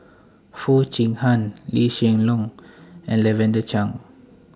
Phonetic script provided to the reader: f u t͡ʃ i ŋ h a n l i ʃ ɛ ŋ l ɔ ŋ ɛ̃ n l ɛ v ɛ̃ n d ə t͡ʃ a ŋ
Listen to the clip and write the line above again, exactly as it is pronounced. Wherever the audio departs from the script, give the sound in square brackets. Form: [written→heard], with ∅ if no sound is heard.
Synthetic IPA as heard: f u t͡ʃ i ŋ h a n l i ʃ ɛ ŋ l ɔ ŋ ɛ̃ n l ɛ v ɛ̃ n d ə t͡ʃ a ŋ